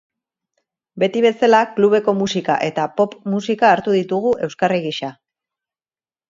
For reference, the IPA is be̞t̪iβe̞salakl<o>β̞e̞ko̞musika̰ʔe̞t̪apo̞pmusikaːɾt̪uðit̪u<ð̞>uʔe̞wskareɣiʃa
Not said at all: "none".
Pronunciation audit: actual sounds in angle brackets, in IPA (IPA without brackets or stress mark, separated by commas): u, ɣ̞